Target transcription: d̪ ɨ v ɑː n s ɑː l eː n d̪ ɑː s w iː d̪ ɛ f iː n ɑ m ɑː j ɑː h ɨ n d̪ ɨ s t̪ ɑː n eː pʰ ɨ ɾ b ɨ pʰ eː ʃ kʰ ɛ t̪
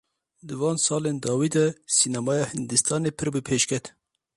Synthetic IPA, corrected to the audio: d̪ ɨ v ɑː n s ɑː l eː n d̪ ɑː w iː d̪ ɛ s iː n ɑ m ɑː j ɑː h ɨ n d̪ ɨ s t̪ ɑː n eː pʰ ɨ ɾ b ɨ pʰ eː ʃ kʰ ɛ t̪